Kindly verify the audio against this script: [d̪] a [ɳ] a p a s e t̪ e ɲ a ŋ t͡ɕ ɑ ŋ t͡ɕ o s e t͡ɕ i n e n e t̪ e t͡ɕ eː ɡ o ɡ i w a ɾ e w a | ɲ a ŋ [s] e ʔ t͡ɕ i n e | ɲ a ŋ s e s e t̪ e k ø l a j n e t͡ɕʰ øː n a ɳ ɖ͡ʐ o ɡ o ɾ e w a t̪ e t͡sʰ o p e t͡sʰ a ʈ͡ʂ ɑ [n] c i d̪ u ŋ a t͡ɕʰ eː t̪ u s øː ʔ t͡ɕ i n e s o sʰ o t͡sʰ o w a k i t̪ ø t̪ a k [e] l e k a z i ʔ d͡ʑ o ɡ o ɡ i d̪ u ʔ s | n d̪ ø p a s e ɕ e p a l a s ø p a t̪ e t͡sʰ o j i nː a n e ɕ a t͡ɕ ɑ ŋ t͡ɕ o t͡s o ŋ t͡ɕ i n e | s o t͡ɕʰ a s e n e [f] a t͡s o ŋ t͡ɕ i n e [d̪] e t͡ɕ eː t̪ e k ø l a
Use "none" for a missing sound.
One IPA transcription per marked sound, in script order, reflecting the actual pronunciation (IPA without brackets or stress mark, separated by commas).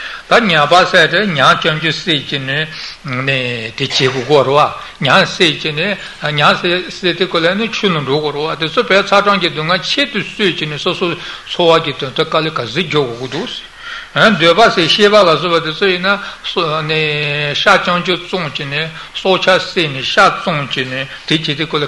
t̪, ɲ, s, ŋ, a, ɕ, t̪